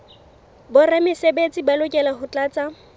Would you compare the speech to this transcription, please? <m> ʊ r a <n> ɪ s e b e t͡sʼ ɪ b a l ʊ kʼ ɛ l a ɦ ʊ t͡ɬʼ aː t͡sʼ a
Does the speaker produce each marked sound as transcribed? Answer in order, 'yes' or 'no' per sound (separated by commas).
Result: no, no